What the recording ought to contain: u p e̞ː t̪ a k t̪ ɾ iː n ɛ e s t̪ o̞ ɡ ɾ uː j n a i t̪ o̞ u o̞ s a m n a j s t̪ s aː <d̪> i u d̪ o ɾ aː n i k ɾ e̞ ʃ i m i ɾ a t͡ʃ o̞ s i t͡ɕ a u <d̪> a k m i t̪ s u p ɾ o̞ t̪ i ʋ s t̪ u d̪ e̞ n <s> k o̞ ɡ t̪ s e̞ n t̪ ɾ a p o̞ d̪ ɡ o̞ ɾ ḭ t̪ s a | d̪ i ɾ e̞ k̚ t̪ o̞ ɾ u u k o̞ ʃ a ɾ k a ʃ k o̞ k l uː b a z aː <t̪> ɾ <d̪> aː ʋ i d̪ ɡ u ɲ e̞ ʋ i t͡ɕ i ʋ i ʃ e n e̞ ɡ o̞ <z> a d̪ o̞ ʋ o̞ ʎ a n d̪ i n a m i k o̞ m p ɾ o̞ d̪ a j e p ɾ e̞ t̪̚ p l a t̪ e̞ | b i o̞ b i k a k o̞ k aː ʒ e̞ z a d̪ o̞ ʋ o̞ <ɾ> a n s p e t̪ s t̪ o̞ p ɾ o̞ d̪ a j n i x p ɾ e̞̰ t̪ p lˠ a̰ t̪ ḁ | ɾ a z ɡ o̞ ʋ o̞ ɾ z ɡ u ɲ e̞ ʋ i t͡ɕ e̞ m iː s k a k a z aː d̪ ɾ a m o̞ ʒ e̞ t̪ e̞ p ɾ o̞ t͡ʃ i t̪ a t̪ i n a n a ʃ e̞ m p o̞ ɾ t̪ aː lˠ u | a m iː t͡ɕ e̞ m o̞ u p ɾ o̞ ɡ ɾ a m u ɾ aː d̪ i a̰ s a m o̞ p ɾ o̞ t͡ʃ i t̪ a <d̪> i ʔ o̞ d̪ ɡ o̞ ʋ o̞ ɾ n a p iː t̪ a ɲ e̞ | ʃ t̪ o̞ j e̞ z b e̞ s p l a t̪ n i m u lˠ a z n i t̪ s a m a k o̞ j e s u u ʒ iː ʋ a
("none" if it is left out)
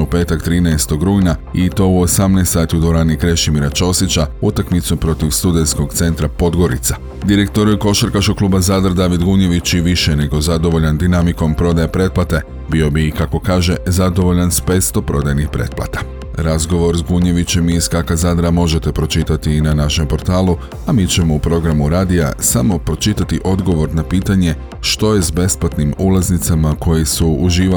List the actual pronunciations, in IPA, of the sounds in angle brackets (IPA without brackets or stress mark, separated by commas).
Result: t̪, t̪, s, d̪, d̪, z, ʎ, t̪